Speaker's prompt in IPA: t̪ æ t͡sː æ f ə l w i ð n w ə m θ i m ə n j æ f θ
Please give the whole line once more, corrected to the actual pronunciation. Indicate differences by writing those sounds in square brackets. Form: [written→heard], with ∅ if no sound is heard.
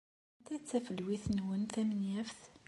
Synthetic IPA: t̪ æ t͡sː æ f ə l w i [ð→θ] n w ə [m→n] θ [i→æ] m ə n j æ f θ